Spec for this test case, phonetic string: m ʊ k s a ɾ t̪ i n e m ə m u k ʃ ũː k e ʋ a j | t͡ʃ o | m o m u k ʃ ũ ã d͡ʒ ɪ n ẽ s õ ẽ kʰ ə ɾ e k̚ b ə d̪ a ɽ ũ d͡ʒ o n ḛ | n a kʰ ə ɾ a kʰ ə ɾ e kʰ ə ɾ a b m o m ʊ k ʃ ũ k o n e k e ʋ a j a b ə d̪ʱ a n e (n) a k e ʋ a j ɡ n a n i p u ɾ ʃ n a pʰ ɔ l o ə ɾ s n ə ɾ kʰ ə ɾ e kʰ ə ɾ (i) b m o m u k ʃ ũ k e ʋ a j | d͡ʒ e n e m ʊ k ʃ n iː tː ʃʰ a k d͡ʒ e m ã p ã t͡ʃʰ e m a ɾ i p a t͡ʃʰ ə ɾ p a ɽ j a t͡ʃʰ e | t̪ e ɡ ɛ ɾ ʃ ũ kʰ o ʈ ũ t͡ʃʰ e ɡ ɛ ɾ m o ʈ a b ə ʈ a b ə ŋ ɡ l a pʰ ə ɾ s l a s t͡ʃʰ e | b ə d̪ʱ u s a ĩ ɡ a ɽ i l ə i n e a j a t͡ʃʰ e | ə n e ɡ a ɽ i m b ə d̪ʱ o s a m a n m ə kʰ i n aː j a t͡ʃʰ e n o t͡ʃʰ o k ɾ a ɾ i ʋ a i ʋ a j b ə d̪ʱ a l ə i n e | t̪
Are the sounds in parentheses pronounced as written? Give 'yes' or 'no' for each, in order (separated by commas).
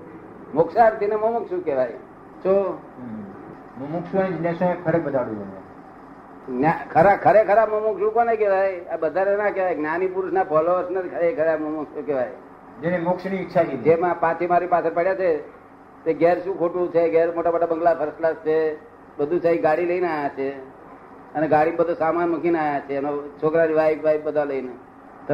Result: yes, no